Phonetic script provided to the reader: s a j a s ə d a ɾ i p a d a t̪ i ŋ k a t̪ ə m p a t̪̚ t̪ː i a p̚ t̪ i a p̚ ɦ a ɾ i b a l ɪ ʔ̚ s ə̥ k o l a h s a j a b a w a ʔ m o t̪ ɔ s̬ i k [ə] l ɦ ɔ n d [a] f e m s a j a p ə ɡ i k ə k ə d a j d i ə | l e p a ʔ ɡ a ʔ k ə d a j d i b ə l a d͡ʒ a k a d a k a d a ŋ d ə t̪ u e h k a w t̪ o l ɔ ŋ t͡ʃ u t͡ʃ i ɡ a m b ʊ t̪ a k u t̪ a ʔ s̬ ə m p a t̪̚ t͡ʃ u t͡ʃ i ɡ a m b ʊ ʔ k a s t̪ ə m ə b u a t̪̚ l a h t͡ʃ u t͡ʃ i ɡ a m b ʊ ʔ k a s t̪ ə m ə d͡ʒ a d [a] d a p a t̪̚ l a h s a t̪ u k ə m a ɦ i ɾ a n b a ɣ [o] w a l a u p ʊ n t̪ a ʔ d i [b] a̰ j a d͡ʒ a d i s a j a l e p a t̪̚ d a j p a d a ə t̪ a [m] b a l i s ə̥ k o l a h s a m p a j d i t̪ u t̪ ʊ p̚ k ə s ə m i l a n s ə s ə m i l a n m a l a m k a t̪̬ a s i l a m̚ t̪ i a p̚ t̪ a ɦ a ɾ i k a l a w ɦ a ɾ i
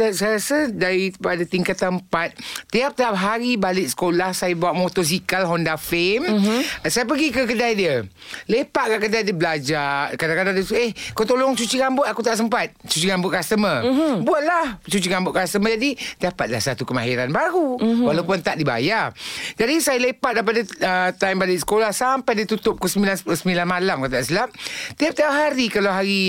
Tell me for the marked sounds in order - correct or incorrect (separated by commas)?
incorrect, correct, incorrect, incorrect, correct, correct